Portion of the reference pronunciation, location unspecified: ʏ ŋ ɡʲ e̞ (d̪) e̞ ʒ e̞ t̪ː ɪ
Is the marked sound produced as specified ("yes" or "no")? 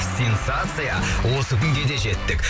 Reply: yes